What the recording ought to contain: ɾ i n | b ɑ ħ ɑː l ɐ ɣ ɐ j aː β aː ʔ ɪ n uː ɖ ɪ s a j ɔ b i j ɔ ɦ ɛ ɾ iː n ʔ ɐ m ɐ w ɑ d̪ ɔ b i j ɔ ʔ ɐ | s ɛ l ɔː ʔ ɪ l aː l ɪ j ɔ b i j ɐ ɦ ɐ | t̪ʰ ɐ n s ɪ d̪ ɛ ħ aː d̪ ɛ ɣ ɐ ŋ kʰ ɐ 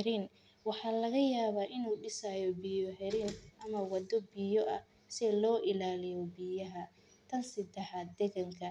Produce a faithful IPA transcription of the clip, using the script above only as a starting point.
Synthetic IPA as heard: ɾ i n | w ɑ ħ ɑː l ɐ ɣ ɐ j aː β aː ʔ ɪ n uː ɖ ɪ s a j ɔ b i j ɔ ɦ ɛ ɾ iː n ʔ ɐ m ɐ w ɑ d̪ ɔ b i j ɔ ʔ ɐ | s ɛ l ɔː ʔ ɪ l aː l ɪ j ɔ b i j ɐ ɦ ɐ | t̪ʰ ɐ n s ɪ d̪ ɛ ħ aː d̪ ɛ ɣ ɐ ŋ kʰ ɐ